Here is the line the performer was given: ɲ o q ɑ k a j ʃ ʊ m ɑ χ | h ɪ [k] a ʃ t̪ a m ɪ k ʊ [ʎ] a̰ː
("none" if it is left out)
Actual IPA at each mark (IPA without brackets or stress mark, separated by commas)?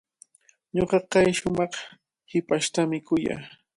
p, j